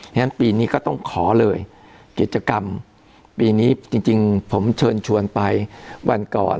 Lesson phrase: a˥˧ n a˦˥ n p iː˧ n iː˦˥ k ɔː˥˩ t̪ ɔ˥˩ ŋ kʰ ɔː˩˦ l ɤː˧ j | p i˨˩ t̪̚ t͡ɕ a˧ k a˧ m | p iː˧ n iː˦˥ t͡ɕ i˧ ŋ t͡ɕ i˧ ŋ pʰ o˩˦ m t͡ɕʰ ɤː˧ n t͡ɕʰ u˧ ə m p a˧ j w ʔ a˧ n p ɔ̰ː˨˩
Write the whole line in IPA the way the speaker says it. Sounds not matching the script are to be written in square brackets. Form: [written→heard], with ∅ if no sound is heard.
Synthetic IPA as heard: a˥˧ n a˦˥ n p iː˧ n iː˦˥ k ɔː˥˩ t̪ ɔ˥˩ ŋ kʰ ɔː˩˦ l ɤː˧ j | [p→k] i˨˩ t̪̚ t͡ɕ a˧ k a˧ m | p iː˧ n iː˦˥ t͡ɕ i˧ ŋ t͡ɕ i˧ ŋ pʰ o˩˦ m t͡ɕʰ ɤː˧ n t͡ɕʰ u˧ ə [m→n] p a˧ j w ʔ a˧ n [p→k] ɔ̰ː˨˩